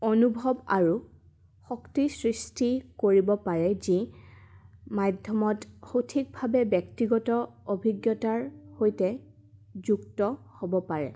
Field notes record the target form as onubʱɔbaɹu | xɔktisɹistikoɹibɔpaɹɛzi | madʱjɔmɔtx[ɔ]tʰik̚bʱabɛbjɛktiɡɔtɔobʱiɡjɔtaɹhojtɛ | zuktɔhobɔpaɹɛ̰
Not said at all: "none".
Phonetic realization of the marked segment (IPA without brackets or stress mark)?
o